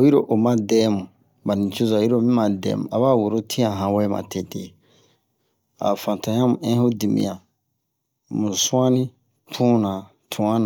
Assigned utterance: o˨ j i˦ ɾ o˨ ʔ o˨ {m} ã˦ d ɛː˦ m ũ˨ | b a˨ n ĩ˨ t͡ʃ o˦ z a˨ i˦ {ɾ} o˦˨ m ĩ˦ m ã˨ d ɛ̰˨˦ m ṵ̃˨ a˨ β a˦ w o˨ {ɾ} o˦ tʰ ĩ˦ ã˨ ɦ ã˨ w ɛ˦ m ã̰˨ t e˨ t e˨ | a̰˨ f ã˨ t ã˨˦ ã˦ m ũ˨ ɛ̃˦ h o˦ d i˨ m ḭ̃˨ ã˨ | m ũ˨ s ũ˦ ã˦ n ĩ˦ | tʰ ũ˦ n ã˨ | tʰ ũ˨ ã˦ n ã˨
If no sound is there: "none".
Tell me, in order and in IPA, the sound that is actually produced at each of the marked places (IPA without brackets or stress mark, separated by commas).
m, ɾ, ɾ